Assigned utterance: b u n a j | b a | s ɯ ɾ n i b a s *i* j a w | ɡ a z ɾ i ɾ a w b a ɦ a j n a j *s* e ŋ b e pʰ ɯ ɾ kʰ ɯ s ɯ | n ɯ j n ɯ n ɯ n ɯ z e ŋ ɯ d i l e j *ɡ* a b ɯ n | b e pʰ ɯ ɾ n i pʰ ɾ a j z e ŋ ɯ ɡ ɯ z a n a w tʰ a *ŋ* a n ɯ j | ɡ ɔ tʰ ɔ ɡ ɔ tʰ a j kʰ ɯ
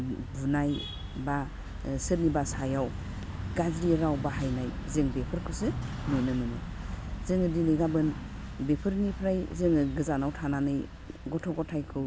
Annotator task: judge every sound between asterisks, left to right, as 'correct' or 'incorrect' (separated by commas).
incorrect, incorrect, correct, incorrect